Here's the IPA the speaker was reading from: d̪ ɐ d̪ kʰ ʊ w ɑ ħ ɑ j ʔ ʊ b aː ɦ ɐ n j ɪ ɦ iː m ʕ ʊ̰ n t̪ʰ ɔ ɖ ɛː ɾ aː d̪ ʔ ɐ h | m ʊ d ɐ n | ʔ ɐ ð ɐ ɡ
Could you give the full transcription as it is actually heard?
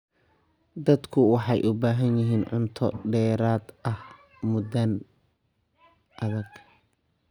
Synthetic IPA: d̪ ɐ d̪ kʰ ʊ w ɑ ħ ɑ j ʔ ʊ b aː ɦ ɐ n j ɪ ɦ iː n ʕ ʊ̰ n t̪ʰ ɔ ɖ ɛː ɾ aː d̪ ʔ ɐ h | m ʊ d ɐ n | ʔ ɐ ð ɐ ɡ

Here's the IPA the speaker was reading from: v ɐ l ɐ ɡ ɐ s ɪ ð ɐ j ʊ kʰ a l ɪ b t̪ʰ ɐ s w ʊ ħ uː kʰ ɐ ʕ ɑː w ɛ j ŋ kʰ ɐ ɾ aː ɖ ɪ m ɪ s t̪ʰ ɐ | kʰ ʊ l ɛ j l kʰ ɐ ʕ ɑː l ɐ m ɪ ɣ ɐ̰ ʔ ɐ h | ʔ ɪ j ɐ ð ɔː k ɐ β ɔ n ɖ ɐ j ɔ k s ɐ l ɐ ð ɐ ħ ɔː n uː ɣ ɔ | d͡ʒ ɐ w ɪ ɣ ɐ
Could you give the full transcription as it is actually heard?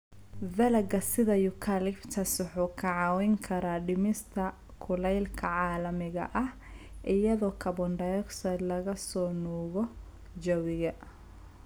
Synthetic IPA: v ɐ l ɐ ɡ ɐ s ɪ ð ɐ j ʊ kʰ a l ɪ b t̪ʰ ɐ s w ʊ ħ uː kʰ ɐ ʕ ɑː w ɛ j ŋ kʰ ɐ ɾ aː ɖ ɪ m ɪ s t̪ʰ ɐ | kʰ ʊ l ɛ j l kʰ ɐ ʕ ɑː l ɐ m ɪ ɣ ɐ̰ ʔ ɐ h | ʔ ɪ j ɐ ð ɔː kʰ ɐ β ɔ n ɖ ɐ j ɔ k s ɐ l ɐ ɣ ɐ s ɔː n uː ɣ ɔ | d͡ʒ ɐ w ɪ ɣ ɐ

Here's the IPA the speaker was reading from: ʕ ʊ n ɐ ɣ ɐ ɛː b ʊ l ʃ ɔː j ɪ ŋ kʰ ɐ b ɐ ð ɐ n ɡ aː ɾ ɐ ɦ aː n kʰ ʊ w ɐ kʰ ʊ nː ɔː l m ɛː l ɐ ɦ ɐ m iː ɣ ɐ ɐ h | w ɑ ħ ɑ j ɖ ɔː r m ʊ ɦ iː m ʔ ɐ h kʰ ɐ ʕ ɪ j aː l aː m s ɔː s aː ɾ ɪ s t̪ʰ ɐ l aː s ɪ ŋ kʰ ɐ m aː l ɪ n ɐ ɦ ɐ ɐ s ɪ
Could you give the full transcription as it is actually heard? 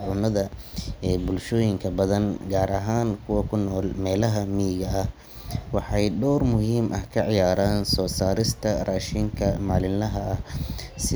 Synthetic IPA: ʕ ʊ n ɐ ð ɐ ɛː b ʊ l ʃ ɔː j ɪ ŋ kʰ ɐ b ɐ ð ɐ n ɡ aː ɾ ɐ ɦ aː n kʰ ʊ w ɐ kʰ ʊ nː ɔː l m ɛː l ɐ ɦ ɐ m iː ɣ ɐ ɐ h | w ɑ ħ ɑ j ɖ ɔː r m ʊ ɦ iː m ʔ ɐ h kʰ ɐ ʕ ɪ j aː ɾ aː n s ɔː s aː ɾ ɪ s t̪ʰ ɐ r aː ʃ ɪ ŋ kʰ ɐ m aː l ɪ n ɐ ɦ ɐ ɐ s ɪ

